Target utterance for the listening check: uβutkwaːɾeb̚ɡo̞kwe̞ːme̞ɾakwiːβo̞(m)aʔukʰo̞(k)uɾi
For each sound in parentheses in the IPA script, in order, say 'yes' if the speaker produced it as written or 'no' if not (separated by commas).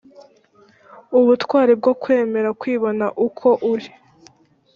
no, no